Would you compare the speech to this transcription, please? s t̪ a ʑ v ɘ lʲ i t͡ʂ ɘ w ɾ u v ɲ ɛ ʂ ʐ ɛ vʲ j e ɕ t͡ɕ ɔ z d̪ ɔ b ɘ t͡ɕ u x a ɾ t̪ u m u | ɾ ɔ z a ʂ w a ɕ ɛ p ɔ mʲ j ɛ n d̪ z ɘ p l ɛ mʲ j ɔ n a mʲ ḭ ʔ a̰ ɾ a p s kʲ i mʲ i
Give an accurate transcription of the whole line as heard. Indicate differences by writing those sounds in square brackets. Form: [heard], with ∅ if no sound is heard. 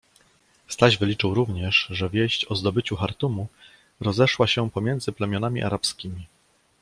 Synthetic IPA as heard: s t̪ a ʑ v ɘ lʲ i t͡ʂ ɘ w ɾ u v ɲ ɛ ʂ ʐ ɛ vʲ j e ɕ t͡ɕ ɔ z d̪ ɔ b ɘ t͡ɕ u x a ɾ t̪ u m u | ɾ ɔ z [ɛ] ʂ w a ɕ ɛ p ɔ mʲ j ɛ n d̪ z ɘ p l ɛ mʲ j ɔ n a mʲ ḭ ʔ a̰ ɾ a p s kʲ i mʲ i